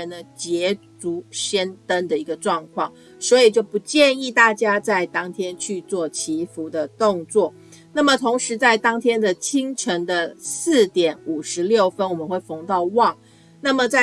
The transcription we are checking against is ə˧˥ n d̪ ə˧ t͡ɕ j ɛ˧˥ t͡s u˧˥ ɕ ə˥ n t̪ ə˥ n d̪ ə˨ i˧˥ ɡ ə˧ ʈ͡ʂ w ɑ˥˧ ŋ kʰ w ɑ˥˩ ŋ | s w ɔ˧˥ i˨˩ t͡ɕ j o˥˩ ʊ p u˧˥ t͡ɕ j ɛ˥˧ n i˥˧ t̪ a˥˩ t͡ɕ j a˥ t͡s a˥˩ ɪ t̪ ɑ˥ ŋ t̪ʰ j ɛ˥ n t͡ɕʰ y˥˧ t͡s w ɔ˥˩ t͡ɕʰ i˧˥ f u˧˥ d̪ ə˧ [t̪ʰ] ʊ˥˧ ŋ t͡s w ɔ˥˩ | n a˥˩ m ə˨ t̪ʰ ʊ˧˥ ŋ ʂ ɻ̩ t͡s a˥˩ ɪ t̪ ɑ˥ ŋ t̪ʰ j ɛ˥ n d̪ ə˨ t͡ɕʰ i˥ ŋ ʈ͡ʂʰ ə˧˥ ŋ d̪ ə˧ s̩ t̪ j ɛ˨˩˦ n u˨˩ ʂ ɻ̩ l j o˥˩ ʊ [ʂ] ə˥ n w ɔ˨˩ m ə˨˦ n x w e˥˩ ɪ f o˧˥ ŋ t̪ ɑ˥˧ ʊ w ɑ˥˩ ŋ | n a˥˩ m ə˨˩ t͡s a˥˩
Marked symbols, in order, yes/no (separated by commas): no, no